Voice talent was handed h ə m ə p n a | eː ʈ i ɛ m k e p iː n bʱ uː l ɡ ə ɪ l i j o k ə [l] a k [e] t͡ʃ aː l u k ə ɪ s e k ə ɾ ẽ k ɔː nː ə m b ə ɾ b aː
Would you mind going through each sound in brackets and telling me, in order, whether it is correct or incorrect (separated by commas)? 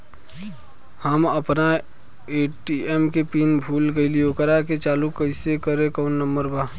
incorrect, correct